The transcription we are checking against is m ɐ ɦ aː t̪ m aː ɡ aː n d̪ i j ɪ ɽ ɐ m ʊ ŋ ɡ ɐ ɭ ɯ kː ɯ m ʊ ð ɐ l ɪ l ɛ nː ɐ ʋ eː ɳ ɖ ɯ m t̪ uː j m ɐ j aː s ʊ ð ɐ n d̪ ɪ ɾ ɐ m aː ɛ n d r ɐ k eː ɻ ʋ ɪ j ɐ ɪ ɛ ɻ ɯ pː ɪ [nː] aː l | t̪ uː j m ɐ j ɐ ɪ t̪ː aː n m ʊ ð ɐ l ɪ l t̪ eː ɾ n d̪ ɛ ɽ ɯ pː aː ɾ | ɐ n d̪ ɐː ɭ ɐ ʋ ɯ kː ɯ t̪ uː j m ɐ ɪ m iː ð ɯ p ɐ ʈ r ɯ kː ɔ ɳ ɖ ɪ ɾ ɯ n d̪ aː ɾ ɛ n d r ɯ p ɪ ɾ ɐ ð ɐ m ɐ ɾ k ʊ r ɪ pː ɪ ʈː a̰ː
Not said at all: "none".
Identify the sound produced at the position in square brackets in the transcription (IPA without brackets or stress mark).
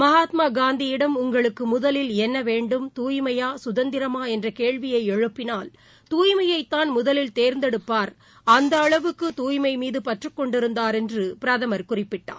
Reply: n